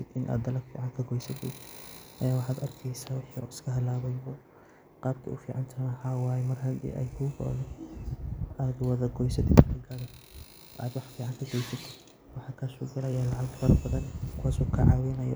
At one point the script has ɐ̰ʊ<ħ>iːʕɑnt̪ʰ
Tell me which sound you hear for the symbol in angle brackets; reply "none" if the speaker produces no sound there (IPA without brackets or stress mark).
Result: f